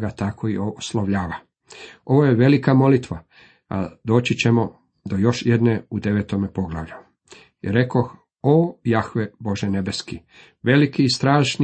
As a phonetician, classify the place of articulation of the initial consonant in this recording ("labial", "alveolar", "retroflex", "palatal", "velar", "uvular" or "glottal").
velar